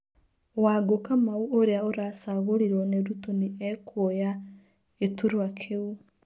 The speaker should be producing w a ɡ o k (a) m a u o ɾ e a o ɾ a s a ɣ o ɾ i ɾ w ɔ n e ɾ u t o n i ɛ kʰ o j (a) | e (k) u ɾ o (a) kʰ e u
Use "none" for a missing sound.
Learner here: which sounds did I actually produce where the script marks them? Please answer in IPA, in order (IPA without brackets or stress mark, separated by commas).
a, a, t, a